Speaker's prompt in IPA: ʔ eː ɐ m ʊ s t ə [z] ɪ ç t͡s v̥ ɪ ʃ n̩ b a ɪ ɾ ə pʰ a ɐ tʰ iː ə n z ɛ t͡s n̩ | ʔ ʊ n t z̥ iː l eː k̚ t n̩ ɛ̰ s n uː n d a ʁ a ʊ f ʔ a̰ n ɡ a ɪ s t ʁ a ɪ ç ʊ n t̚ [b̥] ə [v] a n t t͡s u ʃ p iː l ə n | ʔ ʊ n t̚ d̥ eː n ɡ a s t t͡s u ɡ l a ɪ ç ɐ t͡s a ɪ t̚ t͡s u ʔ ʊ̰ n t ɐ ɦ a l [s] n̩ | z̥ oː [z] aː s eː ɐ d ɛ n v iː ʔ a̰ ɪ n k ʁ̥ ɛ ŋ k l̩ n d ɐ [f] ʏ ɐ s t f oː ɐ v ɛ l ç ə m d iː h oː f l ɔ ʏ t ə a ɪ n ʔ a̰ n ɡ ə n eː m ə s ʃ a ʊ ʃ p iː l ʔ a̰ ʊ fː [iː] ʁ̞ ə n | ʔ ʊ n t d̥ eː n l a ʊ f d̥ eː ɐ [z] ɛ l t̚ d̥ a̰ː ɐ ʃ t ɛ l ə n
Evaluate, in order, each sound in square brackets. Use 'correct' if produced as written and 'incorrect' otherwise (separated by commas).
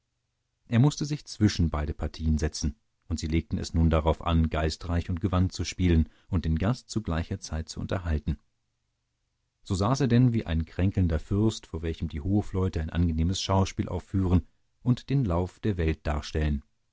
correct, incorrect, correct, incorrect, correct, correct, incorrect, incorrect